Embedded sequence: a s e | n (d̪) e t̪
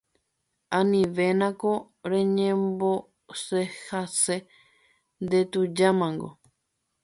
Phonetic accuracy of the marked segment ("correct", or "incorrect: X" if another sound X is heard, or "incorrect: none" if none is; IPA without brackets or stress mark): correct